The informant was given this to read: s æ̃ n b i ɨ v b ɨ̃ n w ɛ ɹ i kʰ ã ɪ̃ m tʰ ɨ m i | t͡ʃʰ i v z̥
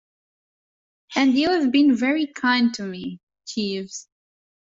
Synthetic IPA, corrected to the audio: h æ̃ n d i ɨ v b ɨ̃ n v ɛ ɹ i kʰ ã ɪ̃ n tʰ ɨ m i | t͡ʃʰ i v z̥